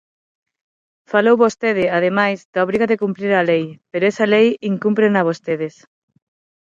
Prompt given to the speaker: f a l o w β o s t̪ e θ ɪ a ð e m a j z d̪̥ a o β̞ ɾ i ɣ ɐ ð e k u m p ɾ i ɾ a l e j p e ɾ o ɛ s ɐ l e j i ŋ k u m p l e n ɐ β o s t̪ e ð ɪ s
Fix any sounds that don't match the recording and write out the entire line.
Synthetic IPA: f a l o w β o s t̪ e ð ɪ a ð e m a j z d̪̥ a o β̞ ɾ i ɣ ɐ ð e k u m p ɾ i ɾ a l e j p e ɾ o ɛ s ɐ l e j i ŋ k u m p ɾ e n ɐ β o s t̪ e ð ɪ s